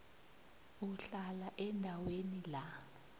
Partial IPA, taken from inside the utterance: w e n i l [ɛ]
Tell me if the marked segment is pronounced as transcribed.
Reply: no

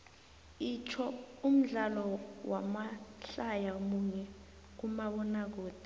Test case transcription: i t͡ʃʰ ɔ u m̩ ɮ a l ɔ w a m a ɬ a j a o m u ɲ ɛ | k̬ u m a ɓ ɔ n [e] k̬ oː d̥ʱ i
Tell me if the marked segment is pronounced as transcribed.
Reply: no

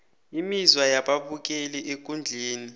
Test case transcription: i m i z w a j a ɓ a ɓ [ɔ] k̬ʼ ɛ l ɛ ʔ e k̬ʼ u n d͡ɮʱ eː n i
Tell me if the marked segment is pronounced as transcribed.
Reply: no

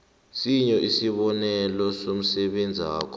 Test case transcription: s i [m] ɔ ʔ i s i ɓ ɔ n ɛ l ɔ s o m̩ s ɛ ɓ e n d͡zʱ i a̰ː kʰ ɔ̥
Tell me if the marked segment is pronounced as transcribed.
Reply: no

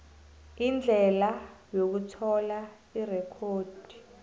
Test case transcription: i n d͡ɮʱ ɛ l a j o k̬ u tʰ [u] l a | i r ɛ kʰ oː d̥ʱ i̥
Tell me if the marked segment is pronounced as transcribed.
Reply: no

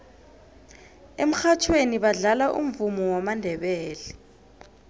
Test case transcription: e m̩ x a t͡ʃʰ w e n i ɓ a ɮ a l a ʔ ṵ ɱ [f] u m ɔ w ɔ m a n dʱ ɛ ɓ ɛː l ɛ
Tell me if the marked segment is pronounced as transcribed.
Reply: no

